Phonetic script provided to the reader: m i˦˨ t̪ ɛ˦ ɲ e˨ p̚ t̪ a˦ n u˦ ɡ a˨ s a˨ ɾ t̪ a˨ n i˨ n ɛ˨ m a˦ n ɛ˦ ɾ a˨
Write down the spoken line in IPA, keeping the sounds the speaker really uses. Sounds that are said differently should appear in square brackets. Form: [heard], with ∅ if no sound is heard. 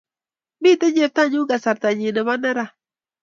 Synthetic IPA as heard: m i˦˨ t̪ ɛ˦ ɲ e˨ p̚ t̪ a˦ [ɲ] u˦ ɡ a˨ s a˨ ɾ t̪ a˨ [ɲ] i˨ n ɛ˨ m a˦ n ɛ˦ ɾ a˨